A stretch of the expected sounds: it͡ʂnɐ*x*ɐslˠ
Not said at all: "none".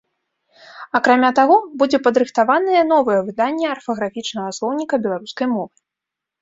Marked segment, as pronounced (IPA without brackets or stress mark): ɣ